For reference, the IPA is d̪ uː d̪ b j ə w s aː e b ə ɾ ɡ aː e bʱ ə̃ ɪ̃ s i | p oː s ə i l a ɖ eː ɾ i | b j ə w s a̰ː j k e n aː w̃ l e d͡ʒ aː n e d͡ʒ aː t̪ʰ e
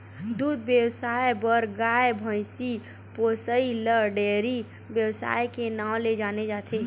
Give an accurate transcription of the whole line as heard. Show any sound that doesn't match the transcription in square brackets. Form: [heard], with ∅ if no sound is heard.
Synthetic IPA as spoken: d̪ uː d̪ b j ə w s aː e b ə ɾ ɡ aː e bʱ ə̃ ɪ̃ s i | p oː s ə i l [ə] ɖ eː ɾ i | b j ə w s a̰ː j k e n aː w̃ l e d͡ʒ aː n e d͡ʒ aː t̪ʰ e